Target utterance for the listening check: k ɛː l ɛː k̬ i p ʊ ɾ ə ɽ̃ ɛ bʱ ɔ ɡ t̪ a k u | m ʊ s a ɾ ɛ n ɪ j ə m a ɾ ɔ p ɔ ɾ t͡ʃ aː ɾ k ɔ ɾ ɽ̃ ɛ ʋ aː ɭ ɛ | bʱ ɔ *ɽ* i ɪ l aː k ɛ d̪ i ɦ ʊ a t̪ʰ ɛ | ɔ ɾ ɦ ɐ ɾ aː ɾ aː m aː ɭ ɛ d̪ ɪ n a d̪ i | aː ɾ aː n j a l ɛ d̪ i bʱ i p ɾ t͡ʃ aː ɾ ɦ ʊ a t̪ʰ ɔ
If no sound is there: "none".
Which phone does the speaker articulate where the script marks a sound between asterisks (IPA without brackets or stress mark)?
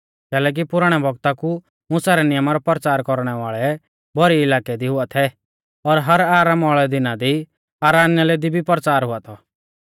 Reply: ɾ